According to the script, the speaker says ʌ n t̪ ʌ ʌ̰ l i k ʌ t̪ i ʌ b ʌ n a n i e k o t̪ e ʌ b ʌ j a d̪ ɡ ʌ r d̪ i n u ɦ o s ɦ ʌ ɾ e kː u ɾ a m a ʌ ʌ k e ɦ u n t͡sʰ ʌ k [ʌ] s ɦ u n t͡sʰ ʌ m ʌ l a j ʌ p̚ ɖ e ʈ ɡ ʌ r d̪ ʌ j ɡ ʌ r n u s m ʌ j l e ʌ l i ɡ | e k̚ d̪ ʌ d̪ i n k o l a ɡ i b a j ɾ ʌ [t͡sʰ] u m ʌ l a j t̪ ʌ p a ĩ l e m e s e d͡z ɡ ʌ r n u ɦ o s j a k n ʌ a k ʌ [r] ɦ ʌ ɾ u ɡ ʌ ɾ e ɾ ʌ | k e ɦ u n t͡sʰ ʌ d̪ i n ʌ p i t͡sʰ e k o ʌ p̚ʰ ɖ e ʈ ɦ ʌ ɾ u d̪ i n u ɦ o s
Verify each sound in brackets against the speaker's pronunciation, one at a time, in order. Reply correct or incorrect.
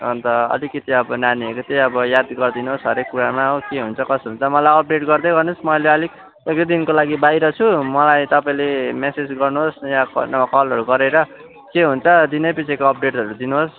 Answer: correct, correct, incorrect

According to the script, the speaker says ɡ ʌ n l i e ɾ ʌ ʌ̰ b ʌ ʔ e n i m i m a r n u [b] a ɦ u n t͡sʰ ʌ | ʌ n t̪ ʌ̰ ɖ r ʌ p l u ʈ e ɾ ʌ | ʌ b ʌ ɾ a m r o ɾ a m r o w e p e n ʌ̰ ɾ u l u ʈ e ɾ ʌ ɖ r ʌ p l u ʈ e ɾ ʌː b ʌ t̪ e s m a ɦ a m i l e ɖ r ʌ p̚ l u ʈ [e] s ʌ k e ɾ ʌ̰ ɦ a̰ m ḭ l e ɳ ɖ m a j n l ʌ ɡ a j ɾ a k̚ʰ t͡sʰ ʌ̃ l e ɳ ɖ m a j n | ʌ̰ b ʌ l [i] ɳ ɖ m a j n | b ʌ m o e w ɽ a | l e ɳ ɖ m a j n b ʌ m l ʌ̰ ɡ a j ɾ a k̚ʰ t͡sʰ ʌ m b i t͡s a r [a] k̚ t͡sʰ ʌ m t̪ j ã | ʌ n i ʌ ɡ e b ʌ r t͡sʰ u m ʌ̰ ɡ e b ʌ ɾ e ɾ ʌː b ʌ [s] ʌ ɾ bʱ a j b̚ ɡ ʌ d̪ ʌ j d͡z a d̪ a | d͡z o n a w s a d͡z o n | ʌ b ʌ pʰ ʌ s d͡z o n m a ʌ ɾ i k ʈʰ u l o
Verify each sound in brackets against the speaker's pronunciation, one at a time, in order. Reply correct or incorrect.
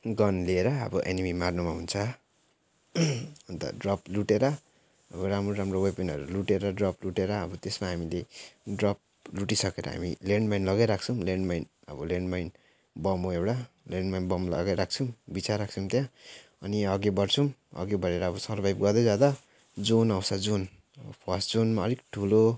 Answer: incorrect, incorrect, incorrect, correct, correct

